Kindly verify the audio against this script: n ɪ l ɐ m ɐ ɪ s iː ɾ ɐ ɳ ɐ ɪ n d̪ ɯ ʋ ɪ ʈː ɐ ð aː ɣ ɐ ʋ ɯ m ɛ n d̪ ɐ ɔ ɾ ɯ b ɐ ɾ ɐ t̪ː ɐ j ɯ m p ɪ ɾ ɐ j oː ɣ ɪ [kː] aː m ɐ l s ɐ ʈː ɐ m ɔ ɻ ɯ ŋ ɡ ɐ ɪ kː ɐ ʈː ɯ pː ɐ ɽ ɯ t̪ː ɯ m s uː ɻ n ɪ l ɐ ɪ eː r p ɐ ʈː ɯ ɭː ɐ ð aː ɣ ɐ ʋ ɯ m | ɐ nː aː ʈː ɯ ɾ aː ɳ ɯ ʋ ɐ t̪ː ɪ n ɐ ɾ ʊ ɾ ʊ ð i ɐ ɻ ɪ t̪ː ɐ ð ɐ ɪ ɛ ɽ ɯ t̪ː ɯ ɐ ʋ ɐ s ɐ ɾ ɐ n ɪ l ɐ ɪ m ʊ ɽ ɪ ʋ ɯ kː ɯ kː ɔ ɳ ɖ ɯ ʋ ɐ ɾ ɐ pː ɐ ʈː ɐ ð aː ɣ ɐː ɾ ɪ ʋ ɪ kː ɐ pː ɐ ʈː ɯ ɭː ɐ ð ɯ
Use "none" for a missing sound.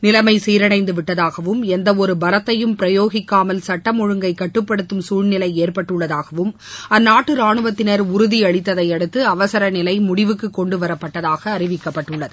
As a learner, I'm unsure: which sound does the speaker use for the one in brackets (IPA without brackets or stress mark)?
kː